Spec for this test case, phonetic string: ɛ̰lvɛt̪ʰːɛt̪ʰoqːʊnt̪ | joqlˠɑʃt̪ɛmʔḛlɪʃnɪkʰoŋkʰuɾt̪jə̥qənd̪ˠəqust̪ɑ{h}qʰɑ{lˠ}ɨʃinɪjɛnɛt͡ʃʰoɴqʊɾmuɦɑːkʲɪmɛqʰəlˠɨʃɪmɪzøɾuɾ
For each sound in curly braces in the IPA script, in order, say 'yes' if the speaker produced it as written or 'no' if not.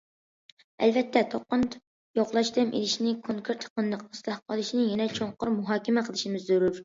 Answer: yes, yes

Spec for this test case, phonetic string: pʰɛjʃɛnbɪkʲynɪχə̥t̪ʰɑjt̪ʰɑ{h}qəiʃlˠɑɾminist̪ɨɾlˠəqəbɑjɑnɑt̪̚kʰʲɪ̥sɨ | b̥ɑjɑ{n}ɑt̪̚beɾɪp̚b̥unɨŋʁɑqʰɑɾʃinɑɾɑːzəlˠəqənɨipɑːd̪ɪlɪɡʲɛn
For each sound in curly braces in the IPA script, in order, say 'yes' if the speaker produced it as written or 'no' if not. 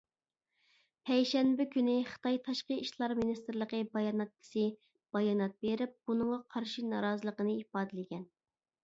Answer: no, yes

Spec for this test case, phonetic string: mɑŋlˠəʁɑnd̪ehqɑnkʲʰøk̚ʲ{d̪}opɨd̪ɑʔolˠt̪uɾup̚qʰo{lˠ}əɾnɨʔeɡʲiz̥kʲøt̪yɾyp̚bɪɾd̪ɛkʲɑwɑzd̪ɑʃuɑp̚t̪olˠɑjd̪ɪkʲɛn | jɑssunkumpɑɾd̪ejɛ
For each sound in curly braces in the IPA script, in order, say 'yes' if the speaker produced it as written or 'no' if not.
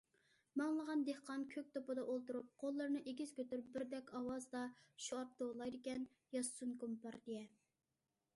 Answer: no, no

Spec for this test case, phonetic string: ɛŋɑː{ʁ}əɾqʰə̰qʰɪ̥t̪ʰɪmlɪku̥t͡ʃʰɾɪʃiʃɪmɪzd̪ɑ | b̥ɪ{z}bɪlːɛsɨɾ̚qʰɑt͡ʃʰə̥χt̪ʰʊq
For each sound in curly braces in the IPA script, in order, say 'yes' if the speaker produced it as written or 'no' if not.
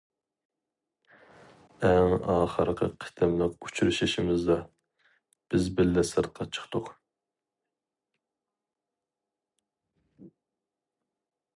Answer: no, yes

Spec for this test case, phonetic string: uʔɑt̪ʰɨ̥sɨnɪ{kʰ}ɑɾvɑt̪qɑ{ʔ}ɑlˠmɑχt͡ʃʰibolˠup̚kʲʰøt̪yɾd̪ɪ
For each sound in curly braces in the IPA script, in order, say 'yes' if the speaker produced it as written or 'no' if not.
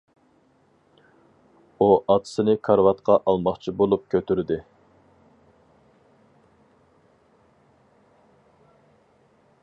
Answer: yes, yes

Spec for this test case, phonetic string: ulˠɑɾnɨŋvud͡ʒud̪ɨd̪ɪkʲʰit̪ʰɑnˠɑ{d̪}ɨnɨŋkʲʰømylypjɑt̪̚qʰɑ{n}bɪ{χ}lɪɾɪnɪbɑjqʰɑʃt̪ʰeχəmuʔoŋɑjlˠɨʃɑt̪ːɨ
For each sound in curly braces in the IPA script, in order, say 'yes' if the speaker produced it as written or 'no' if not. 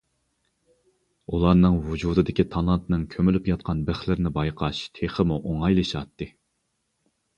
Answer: no, yes, yes

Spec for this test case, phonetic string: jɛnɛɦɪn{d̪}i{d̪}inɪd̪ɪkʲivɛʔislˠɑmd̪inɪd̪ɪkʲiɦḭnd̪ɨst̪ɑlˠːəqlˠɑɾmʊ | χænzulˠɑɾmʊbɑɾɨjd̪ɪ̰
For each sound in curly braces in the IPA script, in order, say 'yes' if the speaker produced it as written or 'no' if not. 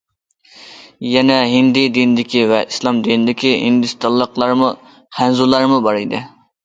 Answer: yes, yes

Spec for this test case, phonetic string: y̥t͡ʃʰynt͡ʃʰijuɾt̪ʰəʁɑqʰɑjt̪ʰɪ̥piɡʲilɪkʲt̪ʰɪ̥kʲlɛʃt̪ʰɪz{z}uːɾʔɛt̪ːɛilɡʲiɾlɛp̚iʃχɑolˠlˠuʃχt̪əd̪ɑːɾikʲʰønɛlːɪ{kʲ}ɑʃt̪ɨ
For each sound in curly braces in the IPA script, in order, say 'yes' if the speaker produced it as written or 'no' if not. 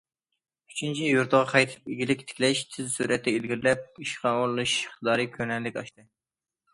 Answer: no, yes

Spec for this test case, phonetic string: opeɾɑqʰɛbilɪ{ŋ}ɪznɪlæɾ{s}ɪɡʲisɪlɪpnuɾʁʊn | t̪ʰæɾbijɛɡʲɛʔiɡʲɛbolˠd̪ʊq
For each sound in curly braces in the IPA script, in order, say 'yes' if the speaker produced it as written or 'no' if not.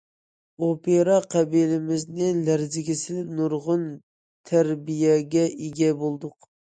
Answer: no, no

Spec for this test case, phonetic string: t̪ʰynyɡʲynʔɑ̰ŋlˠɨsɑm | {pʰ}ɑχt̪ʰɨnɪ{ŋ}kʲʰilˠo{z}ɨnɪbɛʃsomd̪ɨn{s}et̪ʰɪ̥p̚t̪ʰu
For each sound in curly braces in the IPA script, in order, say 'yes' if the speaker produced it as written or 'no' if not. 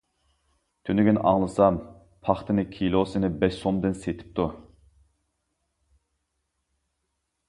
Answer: yes, no, no, yes

